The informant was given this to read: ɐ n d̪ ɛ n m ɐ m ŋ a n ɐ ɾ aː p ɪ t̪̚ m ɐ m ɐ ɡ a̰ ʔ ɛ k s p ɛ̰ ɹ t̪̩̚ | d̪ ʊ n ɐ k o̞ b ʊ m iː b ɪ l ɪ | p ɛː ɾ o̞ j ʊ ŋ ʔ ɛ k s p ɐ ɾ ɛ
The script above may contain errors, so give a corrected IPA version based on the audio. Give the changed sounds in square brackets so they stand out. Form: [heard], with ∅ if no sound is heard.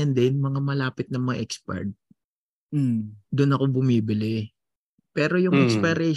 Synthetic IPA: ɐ n d̪ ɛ n m ɐ [∅] ŋ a [m] ɐ [l] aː p ɪ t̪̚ [n] ɐ m ɐ [ŋ] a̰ ʔ ɛ k s p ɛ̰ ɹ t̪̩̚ | d̪ ʊ n ɐ k o̞ b ʊ m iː b ɪ l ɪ | p ɛː ɾ o̞ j ʊ ŋ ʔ ɛ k s p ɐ ɾ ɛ